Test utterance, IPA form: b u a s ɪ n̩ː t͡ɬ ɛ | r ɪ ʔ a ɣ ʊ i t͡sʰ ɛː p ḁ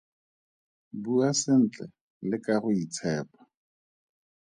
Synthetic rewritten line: b u a s ɪ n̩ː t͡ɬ ɛ | l ɪ k a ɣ ʊ i t͡sʰ ɛː p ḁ